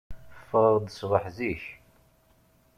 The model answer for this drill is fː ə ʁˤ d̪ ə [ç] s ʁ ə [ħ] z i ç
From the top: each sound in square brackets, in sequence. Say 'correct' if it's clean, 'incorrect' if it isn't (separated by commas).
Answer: incorrect, correct